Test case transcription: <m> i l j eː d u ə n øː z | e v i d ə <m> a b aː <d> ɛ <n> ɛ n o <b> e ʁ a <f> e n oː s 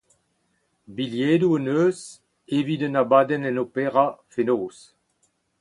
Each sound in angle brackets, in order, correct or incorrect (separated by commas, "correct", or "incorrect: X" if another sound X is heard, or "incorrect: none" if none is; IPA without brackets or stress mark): incorrect: b, incorrect: n, correct, correct, incorrect: p, correct